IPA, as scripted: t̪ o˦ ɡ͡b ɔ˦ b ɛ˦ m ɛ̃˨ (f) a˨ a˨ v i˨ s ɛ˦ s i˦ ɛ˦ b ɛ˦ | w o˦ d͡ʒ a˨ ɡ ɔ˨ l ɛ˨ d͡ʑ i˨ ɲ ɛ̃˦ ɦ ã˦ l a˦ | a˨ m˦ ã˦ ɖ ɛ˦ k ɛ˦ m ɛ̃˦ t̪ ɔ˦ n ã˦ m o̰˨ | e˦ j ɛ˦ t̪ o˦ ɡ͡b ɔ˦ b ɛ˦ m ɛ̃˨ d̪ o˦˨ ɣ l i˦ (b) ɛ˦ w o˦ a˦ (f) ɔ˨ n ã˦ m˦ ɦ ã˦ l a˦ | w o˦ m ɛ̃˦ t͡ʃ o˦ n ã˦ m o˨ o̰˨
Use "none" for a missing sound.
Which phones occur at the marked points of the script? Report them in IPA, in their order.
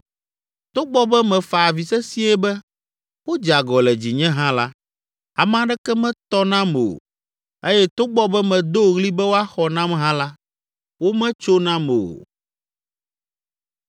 f, b, x

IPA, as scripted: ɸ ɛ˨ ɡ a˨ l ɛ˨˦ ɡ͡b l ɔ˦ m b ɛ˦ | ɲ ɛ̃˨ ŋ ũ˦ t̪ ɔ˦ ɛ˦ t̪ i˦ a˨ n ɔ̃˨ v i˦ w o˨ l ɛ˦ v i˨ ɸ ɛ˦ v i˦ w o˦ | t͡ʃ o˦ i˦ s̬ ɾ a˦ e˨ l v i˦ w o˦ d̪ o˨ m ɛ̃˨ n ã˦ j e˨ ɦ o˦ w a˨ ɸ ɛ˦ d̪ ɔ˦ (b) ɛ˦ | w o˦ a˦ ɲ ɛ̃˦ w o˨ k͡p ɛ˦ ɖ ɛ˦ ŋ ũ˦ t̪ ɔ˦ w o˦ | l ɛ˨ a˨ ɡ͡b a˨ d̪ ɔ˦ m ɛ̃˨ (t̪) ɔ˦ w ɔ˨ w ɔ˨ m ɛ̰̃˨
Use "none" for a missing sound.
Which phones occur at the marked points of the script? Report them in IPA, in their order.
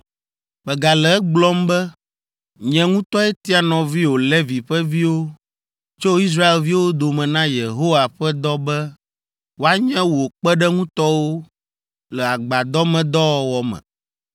b, d̪

